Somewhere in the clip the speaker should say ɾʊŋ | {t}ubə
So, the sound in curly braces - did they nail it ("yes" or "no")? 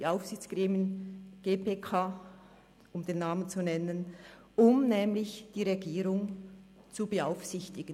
no